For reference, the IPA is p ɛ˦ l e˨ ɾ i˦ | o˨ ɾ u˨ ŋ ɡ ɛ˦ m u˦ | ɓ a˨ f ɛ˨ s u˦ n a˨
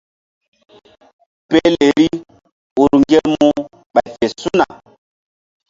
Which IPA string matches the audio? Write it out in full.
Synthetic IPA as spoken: p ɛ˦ l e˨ ɾ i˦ | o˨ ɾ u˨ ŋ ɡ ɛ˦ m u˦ | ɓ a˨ f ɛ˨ s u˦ n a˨